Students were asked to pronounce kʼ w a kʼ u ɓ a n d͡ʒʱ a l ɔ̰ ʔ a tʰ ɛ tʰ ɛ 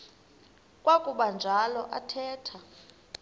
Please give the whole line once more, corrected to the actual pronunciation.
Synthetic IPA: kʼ w a kʼ u ɓ a n d͡ʒʱ a l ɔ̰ ʔ a tʰ ɛː tʰ a